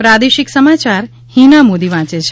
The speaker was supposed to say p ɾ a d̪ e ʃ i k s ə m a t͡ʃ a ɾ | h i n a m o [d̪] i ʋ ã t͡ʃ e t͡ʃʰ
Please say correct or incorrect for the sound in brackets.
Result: correct